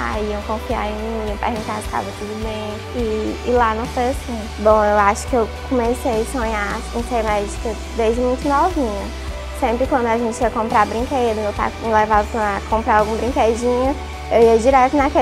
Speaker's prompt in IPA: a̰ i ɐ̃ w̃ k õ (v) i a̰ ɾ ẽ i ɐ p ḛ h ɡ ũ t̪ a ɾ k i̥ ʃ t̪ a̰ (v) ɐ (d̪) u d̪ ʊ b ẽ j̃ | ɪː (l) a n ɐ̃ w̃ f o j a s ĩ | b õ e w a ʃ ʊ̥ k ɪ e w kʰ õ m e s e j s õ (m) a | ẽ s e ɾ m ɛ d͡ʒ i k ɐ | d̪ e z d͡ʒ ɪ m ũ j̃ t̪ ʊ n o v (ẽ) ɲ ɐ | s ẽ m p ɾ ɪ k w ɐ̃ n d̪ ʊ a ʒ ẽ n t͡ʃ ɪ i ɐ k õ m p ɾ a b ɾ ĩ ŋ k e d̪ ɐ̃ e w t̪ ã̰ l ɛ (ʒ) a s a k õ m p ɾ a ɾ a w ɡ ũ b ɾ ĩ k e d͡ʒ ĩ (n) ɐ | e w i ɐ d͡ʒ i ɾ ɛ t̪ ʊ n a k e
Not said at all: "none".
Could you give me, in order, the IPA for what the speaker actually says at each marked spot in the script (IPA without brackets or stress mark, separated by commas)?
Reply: f, v, t̪, l, ɲ, ĩ, v, ɲ